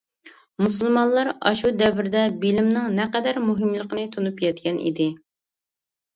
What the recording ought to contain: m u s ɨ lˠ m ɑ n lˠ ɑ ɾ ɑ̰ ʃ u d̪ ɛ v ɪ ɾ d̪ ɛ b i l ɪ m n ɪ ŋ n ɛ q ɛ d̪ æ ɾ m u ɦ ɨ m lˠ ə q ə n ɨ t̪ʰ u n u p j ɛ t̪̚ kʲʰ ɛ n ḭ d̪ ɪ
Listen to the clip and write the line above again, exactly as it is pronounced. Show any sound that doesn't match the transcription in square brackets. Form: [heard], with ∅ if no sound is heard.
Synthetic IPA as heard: m u s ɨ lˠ m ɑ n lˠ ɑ ɾ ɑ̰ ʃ u d̪ ɛ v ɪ ɾ d̪ ɛ b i l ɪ m n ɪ ŋ n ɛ q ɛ d̪ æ ɾ m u ɦ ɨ m lˠ ə q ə n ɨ t̪ʰ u n u p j ɛ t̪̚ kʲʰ ɛ n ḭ d̪ ɪ